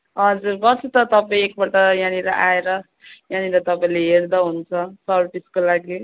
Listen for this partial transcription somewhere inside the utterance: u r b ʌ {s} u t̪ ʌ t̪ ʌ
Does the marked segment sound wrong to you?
no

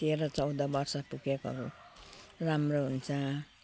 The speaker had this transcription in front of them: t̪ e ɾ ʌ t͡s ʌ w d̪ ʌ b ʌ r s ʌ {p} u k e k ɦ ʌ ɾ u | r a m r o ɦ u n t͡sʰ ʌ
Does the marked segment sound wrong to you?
no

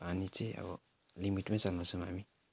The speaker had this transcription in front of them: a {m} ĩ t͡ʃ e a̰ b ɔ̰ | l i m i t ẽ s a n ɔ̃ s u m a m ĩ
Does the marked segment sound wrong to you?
yes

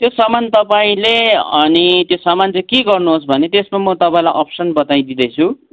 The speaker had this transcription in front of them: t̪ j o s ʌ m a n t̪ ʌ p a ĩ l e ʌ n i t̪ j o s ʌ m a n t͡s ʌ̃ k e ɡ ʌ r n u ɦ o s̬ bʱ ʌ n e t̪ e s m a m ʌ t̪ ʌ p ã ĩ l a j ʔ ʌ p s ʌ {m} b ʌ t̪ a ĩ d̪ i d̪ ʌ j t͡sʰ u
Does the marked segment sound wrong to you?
yes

